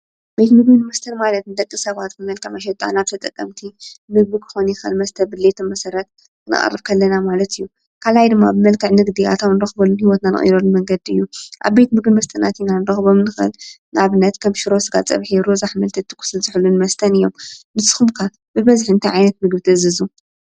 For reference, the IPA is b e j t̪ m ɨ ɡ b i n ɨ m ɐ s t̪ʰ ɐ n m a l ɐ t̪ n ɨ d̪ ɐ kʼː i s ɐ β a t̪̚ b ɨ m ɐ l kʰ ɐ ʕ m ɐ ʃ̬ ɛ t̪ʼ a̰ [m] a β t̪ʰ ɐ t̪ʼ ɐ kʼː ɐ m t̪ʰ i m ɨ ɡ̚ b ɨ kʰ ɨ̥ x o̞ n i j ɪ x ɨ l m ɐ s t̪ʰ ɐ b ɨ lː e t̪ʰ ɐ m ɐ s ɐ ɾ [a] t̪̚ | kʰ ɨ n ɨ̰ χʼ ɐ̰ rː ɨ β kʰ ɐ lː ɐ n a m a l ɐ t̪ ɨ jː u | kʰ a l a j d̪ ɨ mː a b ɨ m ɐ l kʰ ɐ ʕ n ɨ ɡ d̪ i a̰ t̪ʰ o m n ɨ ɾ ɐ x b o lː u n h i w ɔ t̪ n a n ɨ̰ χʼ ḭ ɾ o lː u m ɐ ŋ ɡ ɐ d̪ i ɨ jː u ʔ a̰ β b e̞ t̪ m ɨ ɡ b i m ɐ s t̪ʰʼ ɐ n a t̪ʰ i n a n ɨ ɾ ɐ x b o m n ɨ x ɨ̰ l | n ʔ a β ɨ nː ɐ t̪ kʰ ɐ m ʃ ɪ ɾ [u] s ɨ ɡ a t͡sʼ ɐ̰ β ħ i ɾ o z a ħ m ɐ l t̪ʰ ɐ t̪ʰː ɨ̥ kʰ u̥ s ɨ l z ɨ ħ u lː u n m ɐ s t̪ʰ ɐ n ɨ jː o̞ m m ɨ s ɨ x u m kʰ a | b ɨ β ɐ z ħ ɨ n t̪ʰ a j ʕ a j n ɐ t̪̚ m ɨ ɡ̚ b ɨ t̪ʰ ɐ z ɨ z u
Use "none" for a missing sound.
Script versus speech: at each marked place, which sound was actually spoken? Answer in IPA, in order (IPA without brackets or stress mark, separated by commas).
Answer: n, ɐ, o